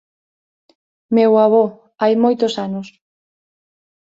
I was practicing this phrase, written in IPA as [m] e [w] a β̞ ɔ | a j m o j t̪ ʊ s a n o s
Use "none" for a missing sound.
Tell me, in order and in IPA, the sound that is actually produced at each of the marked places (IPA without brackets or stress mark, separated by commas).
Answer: m, w